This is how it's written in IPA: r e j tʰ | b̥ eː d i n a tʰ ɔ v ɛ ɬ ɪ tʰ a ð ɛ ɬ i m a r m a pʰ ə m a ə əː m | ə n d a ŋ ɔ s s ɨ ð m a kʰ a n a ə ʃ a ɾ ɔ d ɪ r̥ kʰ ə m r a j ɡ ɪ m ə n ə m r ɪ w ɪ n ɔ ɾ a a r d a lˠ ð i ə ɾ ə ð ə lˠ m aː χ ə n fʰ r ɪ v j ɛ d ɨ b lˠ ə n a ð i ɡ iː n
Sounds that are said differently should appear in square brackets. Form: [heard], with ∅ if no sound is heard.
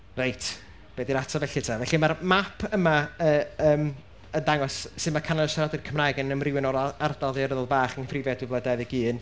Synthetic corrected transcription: r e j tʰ | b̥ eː d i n a tʰ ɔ v ɛ ɬ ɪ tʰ a [v] ɛ ɬ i m a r m a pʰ ə m a ə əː m | ə n d a ŋ ɔ s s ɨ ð m a kʰ a n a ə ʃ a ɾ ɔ d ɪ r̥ kʰ ə m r a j ɡ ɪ [n] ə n ə m r ɪ w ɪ n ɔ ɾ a a r d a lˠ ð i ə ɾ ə ð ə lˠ [b] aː χ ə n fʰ r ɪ v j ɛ d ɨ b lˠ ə [d] a ð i ɡ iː n